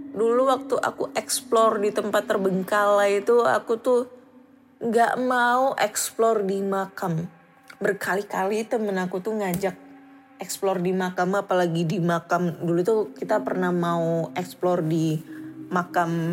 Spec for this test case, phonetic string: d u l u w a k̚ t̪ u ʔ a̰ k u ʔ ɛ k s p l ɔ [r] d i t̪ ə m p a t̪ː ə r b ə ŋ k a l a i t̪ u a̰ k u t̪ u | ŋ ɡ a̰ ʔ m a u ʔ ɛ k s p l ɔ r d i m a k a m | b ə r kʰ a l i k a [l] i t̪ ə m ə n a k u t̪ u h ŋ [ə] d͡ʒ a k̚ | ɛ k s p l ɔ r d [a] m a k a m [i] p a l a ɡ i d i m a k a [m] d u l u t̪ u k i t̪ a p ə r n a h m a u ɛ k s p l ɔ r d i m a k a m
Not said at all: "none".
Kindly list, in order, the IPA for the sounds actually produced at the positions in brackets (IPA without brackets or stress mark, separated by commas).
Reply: r, l, a, i, a, m